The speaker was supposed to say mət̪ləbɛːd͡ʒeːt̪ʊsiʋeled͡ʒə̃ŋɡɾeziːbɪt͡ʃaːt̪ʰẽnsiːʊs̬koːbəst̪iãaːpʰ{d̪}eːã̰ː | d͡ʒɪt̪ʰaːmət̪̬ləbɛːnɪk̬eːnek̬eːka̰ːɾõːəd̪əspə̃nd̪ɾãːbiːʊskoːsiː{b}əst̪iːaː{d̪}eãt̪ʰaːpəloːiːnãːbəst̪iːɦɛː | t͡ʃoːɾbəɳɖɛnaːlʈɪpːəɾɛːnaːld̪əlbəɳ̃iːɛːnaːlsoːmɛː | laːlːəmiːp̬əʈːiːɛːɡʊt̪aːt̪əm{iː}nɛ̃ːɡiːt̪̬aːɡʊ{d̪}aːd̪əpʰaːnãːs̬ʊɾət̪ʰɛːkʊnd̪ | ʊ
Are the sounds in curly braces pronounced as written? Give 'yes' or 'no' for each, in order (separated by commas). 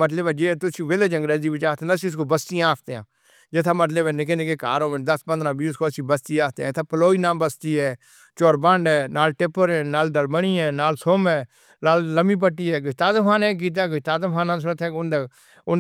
no, yes, no, no, no